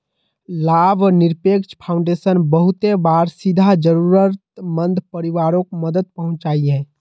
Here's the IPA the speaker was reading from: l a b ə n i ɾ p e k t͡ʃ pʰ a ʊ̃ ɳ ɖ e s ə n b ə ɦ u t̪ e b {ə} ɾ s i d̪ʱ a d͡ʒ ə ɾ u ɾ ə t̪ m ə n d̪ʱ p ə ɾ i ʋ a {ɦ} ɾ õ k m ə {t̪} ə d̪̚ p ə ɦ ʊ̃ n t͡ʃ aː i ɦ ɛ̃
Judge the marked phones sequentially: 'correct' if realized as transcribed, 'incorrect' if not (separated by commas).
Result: incorrect, incorrect, incorrect